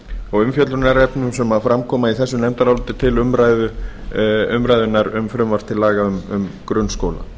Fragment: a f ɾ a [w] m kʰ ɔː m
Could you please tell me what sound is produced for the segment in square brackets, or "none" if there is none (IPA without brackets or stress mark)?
none